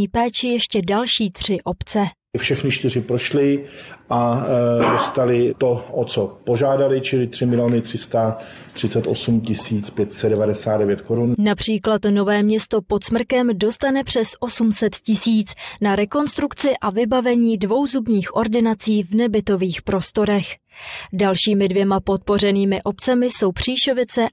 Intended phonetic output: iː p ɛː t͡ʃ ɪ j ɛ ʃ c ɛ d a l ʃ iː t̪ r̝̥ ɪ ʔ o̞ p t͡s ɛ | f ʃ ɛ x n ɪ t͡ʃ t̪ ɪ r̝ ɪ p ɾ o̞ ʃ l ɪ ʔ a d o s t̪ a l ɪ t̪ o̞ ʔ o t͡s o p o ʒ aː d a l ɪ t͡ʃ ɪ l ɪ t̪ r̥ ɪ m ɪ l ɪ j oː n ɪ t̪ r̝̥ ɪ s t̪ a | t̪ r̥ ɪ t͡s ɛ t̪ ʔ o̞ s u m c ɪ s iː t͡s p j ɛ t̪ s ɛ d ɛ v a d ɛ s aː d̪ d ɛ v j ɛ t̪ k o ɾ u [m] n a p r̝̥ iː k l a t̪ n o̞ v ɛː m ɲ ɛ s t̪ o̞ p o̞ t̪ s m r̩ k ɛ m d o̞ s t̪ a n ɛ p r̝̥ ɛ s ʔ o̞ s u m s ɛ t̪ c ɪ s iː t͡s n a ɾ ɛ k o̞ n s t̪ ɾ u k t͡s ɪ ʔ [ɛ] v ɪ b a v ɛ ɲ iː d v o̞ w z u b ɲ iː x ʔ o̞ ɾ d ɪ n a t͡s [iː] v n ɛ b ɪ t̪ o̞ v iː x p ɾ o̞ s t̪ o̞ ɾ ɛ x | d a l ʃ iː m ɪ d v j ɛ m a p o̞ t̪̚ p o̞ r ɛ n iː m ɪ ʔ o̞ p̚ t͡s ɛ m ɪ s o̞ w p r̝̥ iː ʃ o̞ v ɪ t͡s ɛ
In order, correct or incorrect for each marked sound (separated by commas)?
incorrect, incorrect, correct